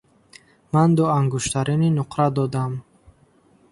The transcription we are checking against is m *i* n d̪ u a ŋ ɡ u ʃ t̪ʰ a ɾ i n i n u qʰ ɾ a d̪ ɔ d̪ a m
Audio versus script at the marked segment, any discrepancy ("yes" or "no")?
yes